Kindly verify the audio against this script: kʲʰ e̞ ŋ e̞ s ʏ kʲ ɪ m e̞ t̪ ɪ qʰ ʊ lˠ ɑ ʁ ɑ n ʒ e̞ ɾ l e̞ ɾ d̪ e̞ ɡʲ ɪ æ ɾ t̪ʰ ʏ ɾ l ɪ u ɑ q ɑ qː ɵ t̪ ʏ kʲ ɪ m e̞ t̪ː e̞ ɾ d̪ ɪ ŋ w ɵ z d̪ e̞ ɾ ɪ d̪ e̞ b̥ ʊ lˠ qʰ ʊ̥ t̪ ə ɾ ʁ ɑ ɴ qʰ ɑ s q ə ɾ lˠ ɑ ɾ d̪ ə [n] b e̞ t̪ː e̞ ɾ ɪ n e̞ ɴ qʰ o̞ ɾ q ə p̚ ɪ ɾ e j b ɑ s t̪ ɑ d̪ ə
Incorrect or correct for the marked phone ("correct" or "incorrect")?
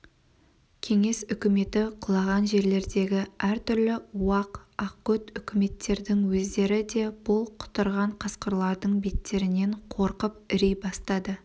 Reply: incorrect